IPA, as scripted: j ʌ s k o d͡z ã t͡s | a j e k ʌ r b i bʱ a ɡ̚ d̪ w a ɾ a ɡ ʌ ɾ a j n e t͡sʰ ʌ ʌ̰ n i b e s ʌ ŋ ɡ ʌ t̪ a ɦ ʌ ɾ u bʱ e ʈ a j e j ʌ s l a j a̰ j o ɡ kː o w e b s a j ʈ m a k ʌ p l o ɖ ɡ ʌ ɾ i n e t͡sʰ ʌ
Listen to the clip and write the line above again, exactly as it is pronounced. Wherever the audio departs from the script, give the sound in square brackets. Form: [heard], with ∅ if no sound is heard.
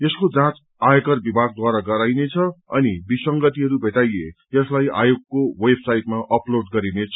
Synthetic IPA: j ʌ s k o d͡z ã t͡s | a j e k ʌ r b i bʱ a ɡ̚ d̪ w a ɾ a ɡ ʌ ɾ a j n e t͡sʰ ʌ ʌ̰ n i b [i] s ʌ ŋ ɡ ʌ t̪ [i] ɦ ʌ ɾ u bʱ e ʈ a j e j ʌ s l a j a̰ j o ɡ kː o w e b s a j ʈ m a [ʔ] ʌ p l o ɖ ɡ ʌ ɾ i n e t͡sʰ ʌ